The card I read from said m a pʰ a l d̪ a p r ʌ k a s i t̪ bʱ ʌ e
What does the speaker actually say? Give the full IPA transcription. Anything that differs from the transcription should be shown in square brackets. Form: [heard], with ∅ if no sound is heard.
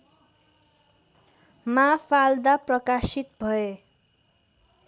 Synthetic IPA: m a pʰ a l d̪ a p r ʌ k a s i t̪ bʱ ʌ e